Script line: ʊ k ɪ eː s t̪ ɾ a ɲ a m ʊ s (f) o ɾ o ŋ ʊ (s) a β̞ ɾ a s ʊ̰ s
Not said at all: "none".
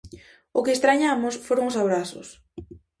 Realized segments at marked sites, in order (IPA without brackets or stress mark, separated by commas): f, s